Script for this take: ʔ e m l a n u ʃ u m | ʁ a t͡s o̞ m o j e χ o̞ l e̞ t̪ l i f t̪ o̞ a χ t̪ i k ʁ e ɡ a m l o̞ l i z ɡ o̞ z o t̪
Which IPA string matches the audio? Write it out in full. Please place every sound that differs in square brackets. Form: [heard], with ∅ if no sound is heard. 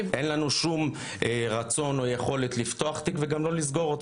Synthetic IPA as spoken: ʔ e [n] l a n u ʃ u m | ʁ a t͡s o̞ [n] o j e χ o̞ l e̞ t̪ l i f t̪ o̞ a χ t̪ i k [v] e ɡ a m l o̞ l i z ɡ o̞ [ʁ] o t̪